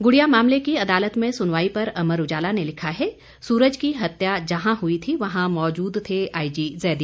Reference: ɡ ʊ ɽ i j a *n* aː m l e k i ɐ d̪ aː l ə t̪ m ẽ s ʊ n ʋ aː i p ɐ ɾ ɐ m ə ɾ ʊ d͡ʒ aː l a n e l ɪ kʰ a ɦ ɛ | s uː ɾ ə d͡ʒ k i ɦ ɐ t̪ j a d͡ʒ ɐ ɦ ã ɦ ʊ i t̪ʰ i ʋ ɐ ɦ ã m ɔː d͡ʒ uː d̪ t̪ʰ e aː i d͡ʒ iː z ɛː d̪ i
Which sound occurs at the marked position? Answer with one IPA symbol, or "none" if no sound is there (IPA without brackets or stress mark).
m